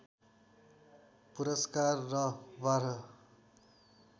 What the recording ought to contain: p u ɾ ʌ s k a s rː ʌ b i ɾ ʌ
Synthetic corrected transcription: p u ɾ ʌ s k a rː ʌ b a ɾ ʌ